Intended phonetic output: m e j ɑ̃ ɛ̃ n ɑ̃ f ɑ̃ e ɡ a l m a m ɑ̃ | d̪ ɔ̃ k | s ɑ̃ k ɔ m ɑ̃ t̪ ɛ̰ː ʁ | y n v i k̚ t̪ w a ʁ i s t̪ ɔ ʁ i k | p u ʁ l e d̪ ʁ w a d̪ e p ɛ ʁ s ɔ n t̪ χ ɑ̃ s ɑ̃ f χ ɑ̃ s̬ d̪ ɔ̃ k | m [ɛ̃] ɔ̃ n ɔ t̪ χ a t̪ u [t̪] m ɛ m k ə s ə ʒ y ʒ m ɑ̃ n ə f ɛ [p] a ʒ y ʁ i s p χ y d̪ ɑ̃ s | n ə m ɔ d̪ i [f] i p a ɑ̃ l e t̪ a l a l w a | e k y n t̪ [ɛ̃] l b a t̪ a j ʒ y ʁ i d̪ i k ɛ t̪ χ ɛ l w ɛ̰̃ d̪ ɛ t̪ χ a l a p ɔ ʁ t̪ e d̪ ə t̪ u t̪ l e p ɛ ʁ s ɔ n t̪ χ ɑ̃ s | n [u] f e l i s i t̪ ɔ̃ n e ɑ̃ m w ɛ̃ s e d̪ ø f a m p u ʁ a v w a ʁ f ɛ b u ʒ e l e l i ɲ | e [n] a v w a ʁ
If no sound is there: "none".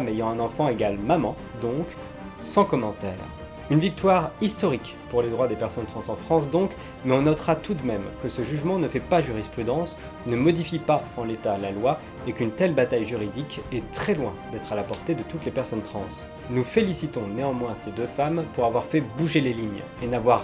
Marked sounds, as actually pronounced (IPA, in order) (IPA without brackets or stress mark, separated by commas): ɛ, d̪, p, f, ɛ, u, n